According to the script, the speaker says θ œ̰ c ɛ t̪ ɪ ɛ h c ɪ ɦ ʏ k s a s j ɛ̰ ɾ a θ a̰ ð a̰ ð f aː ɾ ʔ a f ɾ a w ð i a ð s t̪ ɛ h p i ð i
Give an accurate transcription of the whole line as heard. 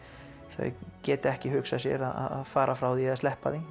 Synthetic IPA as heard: θ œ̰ c ɛː t̪ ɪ ɛ h c ɪ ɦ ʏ k s a s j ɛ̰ ɾ a ð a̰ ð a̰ ð f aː ɾ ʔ a f ɾ a w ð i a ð s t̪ ɛ h p a ð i

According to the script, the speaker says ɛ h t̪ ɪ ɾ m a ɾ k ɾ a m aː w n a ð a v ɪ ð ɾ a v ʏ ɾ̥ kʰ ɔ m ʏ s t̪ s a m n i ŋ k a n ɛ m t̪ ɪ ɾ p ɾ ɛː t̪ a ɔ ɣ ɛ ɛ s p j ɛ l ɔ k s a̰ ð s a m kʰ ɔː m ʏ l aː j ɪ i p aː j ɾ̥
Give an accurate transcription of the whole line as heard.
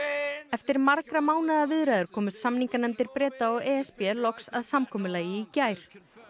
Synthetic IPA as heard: ɛ f t̪ ɪ ɾ m a ɾ k ɾ a m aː w n a ð a v ɪ ð ɾ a ð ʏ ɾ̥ kʰ ɔː m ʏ s t̪ s a m n i ŋ k a n ɛ m t̪ ɪ ɾ p ɾ ɛː t̪ a ɔ ɣ ɛ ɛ s p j ɛ l ɔ k s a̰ ð s a m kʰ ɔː m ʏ l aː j ɪ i c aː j ɾ̥

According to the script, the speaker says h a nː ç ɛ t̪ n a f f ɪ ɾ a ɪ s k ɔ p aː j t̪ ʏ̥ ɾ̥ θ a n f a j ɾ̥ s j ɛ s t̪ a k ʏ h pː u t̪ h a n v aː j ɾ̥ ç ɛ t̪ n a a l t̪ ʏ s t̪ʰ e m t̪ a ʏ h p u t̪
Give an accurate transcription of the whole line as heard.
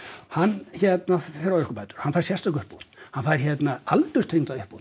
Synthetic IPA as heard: h a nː ç ɛ t̪ n a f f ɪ ɾ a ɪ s k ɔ p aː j t̪ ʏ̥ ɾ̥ h a n f a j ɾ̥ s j ɛ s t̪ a k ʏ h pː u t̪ h a n f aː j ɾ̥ ç ɛ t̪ n a a l t̪ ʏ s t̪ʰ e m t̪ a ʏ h p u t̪

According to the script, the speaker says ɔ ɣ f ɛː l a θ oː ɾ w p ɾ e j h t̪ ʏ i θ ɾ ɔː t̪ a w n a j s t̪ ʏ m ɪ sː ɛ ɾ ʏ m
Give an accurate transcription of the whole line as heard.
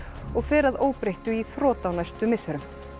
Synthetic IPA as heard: ɔ ɣ f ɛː ɾ a ð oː w p ɾ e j h t̪ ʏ i θ ɾ ɔː t̪ a w n a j s t̪ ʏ m ɪ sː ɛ ɾ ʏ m

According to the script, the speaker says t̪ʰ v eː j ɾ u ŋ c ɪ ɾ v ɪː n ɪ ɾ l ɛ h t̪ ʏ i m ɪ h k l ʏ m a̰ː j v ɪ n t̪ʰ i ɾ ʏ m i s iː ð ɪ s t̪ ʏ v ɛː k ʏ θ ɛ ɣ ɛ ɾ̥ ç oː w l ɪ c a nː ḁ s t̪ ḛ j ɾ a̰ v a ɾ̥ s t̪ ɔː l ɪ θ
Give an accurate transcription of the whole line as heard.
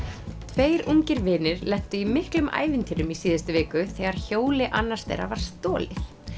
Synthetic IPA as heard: t̪ʰ v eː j ɾ u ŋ c ɪ ɾ v ɪː n ɪ ɾ l ɛ h t̪ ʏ i m ɪ h k l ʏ m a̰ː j v ɪ n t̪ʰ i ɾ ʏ m i s iː ð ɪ s t̪ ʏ v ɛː k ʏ θ ɛ ɣ a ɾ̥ ç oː w l ɪ ʔ a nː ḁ s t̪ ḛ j ɾ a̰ v a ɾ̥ s t̪ ɔː l ɪ θ

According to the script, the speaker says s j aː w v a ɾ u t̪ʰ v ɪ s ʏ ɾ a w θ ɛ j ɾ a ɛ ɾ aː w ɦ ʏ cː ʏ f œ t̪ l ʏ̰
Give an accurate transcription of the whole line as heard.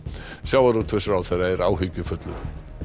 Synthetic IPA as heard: s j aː w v a ɾ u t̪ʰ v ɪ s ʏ ɾ a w θ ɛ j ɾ a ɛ ɾ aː w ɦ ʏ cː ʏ f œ t̪ l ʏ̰

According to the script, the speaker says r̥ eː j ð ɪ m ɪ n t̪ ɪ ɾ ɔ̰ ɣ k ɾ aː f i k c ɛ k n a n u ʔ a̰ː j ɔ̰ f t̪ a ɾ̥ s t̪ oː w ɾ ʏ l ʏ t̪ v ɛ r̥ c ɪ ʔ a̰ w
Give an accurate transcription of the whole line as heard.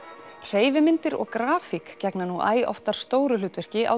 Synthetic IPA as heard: r̥ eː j v ɪ m ɪ n t̪ ɪ ɾ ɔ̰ ɣ k ɾ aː f i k c ɛ k n a n u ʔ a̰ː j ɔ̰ f t̪ a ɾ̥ s t̪ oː w ɾ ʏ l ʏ t̪ v ɛ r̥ c ɪ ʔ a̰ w

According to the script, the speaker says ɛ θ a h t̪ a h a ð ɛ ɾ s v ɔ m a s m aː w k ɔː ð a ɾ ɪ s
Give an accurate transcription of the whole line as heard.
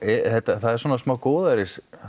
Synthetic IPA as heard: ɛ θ ɛ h t̪ a θ a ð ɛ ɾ s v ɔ n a s m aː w k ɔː ð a ɾ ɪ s

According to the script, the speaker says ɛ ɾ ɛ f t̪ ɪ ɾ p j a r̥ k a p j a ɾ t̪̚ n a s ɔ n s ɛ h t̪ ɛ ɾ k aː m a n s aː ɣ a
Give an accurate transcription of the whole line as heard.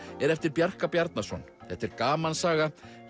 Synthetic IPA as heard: ɛ ɾ ɛ f t̪ ɪ ɾ p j a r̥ k a p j a ɾ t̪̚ n a s ɔ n θ ɛ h t̪ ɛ ɾ k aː m a n s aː ɣ a

